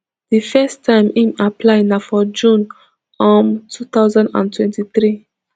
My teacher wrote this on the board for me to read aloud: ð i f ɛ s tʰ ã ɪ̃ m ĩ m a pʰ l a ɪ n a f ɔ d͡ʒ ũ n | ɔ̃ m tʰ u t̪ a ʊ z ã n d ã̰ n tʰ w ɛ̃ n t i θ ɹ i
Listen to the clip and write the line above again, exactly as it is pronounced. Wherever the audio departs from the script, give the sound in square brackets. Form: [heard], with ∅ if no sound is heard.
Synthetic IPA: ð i f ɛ s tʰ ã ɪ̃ m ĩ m a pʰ l a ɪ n a f ɔ d͡ʒ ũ n | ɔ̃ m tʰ u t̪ a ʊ z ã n d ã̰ n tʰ w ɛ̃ n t i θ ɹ i